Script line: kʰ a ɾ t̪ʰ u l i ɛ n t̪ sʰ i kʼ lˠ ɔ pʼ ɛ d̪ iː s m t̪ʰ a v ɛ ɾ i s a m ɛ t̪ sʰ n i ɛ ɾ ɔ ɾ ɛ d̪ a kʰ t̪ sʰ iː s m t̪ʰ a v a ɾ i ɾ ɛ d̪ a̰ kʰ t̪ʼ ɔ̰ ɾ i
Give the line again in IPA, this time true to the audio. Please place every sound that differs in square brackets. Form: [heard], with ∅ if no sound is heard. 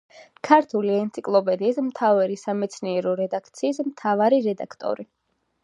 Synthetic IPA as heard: kʰ a ɾ t̪ʰ u l i ɛ n t̪ sʰ i kʼ lˠ ɔ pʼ ɛ d̪ iː s m t̪ʰ a v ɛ ɾ i s a m ɛ t̪ sʰ n i ɛ ɾ ɔ ɾ ɛ d̪ a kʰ t̪ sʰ iː s m t̪ʰ a v a ɾ i ɾ ɛ d̪ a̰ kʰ t̪ʼ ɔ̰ ɾ i

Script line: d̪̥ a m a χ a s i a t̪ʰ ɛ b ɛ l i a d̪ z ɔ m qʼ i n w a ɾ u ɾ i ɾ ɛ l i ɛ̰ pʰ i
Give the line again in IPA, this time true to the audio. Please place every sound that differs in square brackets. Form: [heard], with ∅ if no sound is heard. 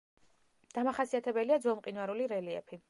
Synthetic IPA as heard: d̪̥ a m a χ a s i a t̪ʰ ɛ b ɛ l i a d̪ z ɔ m qʼ i n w a ɾ u [l] i ɾ ɛ l i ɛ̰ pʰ i

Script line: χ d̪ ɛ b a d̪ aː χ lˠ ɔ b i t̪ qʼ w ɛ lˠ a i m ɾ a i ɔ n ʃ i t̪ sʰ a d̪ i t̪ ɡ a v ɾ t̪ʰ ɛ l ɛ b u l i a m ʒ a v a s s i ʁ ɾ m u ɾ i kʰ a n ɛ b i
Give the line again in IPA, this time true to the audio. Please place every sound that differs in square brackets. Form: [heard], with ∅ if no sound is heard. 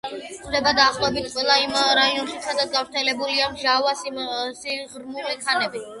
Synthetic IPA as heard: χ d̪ ɛ b a d̪ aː χ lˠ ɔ b i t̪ qʼ w ɛ lˠ a i m ɾ a i ɔ n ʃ i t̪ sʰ a d̪ [a] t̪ ɡ a v ɾ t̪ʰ ɛ l ɛ b u l i a m ʒ a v a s s i ʁ ɾ m u [l] i kʰ a n ɛ b i

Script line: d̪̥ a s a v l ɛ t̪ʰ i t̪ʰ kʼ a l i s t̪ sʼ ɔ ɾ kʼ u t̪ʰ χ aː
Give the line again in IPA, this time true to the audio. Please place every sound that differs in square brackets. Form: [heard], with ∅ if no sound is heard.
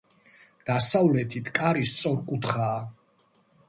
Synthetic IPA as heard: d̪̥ a s a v l ɛ t̪ʰ i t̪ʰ kʼ a [ɾ] i s t̪ sʼ ɔ ɾ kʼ u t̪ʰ χ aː

